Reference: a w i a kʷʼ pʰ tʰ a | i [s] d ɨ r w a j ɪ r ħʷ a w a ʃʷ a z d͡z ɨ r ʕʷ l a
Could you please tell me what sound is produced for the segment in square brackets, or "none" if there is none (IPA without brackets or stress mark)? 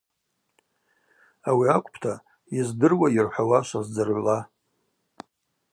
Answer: z